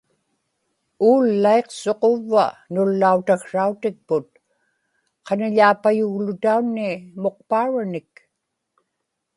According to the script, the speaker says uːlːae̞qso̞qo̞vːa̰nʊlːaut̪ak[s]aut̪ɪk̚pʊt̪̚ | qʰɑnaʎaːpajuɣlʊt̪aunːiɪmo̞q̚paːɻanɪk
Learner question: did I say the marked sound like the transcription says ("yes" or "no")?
no